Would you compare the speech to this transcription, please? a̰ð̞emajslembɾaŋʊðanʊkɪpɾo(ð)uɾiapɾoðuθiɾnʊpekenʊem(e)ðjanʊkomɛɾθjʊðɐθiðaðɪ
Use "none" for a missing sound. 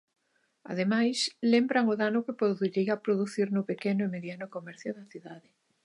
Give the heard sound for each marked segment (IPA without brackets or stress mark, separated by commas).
ð, e